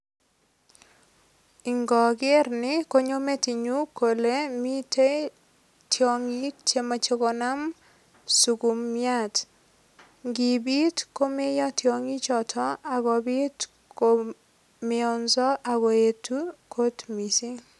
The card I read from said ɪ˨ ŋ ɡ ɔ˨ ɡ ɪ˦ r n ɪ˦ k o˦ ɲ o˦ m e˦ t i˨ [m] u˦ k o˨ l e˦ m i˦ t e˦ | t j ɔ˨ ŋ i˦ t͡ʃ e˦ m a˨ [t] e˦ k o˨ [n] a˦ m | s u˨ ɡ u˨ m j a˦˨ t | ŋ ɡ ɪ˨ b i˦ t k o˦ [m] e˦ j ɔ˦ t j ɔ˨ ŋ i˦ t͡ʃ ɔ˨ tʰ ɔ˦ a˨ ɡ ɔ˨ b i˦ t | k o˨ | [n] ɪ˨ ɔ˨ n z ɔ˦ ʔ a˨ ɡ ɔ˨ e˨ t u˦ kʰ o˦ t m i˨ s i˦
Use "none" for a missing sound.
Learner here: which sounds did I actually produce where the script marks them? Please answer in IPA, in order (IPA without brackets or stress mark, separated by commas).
ɲ, t͡ʃ, n, m, m